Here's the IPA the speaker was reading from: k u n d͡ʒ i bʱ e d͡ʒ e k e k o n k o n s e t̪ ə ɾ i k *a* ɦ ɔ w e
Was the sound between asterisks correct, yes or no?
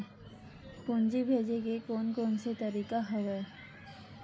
yes